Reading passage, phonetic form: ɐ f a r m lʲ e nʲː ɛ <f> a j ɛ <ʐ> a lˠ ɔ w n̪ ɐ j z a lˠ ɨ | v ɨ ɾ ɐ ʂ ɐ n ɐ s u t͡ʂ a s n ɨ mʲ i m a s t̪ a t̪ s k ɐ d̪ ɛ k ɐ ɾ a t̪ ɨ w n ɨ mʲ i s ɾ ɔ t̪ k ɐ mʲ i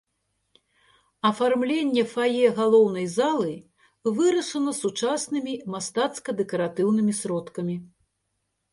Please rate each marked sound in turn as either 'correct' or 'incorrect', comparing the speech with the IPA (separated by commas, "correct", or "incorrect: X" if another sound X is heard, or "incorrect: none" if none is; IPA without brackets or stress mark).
correct, incorrect: ɣ